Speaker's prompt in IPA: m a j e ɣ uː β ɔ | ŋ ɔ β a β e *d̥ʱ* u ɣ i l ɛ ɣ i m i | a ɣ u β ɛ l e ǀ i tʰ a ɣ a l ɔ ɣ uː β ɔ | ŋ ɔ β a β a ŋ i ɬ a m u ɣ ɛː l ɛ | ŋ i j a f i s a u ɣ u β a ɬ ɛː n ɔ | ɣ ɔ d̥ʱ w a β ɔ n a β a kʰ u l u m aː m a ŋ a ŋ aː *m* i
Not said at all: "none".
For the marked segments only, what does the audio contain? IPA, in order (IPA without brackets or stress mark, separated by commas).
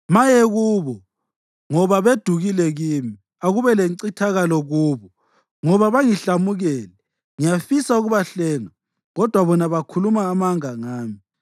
d̥ʱ, m